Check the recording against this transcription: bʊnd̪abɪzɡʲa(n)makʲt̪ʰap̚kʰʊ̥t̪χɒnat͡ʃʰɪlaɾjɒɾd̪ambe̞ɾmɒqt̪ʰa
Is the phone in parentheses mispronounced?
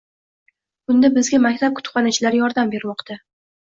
yes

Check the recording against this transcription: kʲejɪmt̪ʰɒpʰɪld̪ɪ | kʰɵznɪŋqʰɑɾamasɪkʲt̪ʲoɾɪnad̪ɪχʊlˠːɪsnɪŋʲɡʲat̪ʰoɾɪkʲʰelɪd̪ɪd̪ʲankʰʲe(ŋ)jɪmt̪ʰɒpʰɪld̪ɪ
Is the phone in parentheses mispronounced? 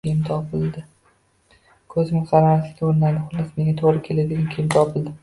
yes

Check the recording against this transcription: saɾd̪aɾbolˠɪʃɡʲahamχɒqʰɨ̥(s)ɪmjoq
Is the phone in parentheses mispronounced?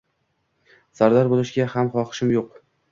yes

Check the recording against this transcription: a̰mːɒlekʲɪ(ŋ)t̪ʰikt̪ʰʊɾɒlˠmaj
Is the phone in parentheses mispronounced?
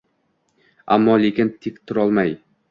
yes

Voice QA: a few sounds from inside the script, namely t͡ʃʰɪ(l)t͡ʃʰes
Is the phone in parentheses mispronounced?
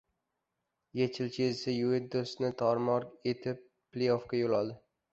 no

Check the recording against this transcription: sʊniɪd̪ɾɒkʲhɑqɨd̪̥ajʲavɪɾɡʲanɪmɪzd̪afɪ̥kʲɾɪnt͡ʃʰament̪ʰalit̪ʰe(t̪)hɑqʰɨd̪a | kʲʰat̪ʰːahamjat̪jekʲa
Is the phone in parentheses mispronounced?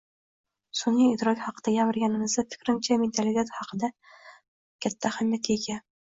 no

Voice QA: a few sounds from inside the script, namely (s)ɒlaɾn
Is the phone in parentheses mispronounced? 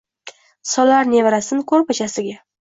no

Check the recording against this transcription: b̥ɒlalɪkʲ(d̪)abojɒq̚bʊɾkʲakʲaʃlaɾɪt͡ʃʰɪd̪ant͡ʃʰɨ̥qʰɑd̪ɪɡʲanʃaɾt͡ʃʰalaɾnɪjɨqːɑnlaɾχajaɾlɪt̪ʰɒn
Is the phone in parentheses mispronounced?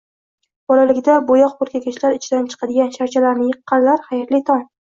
no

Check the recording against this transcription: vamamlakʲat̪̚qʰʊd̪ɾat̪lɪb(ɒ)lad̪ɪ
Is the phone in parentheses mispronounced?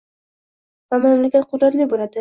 yes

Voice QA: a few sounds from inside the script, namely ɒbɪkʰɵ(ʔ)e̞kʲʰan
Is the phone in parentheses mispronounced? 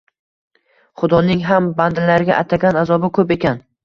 yes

